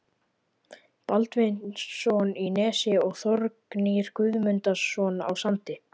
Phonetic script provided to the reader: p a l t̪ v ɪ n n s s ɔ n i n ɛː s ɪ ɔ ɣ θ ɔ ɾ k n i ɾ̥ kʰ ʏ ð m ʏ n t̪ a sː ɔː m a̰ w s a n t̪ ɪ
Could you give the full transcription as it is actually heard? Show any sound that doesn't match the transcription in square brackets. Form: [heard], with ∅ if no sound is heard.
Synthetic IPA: p a l t̪ v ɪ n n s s ɔ n i n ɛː s ɪ ɔ ɣ θ ɔ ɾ k n i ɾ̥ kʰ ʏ ð m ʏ n t̪ a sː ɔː [n] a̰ w s a n t̪ ɪ